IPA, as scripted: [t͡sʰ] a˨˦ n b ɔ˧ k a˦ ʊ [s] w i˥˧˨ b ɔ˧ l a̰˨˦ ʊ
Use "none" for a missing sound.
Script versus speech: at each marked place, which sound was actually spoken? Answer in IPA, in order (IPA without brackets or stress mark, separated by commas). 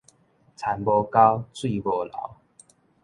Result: t͡sʰ, t͡s